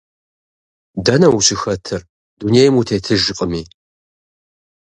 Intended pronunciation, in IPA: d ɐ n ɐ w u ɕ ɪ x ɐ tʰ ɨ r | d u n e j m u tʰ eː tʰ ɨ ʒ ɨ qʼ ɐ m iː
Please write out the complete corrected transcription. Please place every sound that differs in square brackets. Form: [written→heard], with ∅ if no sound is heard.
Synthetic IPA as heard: d ɐ n ɐ w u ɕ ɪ x ɐ tʰ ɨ r | d u n e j m u tʰ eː tʰ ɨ ʒ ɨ qʼ [ɐ→ə] m iː